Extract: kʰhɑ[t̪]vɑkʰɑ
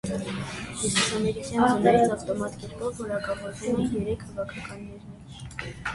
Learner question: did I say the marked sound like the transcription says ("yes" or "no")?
no